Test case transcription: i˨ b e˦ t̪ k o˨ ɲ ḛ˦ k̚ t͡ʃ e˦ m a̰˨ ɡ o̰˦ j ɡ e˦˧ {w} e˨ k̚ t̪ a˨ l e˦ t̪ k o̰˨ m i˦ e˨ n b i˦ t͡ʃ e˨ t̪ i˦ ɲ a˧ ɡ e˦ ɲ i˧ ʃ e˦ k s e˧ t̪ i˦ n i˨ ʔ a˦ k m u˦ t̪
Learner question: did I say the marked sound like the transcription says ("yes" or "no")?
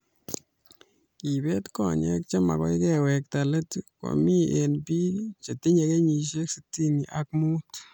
yes